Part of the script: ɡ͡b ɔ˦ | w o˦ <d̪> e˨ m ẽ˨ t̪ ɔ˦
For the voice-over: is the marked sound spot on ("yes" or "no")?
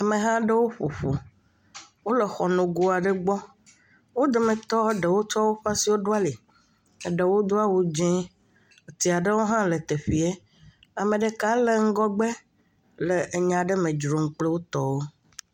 yes